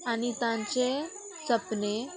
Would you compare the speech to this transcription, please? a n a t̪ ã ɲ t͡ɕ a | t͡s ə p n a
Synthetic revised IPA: a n i t̪ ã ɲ t͡ɕ e | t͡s ə p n e